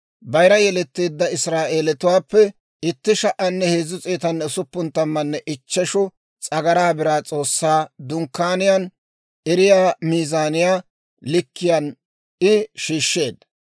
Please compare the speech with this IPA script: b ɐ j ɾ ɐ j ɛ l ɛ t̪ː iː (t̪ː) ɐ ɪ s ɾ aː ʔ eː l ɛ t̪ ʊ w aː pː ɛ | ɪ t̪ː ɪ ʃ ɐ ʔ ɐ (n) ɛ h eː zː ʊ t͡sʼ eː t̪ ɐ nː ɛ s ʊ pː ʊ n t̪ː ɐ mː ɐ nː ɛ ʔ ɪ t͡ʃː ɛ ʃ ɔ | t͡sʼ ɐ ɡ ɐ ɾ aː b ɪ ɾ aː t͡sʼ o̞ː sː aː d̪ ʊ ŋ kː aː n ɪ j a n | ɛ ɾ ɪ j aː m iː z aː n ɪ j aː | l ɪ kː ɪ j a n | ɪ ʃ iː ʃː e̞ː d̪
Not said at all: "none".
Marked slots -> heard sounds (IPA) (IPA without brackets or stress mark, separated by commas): d̪ː, nː